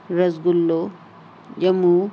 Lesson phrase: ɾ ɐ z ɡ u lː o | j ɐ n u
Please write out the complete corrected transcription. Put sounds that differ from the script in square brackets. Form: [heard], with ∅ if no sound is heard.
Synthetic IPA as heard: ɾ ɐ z ɡ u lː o | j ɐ [m] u